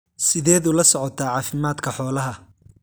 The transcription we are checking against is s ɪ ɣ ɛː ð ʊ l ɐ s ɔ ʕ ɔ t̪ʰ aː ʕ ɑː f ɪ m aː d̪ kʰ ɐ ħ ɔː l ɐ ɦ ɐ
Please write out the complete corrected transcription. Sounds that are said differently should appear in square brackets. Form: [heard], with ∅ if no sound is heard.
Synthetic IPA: s ɪ [ð] ɛː ð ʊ l ɐ s ɔ ʕ ɔ t̪ʰ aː ʕ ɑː f ɪ m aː d̪ kʰ ɐ ħ ɔː l ɐ ɦ ɐ